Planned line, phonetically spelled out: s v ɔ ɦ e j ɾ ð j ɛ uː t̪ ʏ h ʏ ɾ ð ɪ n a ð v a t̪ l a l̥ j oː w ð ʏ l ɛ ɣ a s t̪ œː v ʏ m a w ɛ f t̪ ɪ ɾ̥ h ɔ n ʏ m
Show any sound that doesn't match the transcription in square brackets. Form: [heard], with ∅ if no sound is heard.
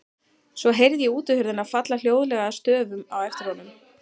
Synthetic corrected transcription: s v ɔ ɦ e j ɾ ð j ɛ uː t̪ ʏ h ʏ ɾ ð ɪ n a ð [f] a t̪ l a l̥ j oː w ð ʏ l ɛ ɣ a s t̪ œː v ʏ m a w ɛ f t̪ ɪ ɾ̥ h ɔ n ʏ m